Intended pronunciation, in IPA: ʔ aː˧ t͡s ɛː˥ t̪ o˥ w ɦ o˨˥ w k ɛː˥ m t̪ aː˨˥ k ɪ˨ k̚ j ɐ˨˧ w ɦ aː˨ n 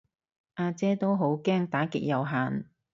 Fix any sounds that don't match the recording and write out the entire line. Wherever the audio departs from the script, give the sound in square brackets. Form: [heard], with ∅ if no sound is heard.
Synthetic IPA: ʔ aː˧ t͡s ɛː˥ t̪ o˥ w ɦ o˨˥ w k ɛː˥ [ŋ] t̪ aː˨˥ k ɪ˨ k̚ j ɐ˨˧ w ɦ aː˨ n